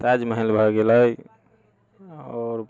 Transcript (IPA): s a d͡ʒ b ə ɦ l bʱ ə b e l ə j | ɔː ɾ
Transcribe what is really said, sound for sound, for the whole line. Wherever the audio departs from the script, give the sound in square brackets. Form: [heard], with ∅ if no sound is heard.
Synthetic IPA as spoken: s a d͡ʒ [m] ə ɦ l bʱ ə [ɡ] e l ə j | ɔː ɾ